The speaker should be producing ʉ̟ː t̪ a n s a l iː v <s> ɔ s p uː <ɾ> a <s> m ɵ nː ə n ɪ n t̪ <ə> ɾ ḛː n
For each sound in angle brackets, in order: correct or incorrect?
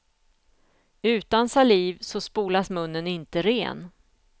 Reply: correct, incorrect: l, correct, correct

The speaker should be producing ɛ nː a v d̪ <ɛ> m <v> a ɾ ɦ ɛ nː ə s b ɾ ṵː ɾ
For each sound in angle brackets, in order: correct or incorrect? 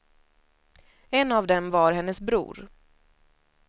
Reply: correct, correct

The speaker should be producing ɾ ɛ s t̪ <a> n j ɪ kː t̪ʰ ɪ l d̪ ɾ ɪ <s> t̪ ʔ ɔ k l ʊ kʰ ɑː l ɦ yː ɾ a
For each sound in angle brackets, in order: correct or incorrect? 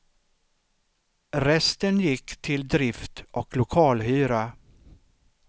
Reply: incorrect: ə, incorrect: f

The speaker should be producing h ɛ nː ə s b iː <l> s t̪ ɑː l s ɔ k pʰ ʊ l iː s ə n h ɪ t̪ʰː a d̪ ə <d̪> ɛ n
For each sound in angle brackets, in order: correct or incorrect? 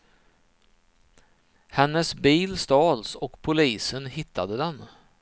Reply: correct, correct

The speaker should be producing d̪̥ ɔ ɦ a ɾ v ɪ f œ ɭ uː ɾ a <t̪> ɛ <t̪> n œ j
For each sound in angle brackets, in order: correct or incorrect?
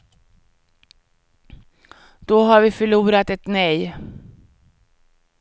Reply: correct, correct

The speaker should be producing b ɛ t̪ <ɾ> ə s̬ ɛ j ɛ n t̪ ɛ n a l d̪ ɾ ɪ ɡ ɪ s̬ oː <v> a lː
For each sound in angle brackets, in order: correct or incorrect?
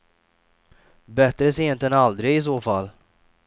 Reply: correct, incorrect: f

